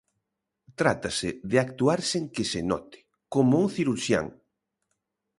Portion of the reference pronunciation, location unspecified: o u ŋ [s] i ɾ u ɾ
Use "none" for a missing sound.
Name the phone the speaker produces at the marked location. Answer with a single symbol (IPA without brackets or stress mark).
θ